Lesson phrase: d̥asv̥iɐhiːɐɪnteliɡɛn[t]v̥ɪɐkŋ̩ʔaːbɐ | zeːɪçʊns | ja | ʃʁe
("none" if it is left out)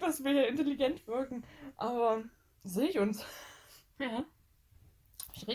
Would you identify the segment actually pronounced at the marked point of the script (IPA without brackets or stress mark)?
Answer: t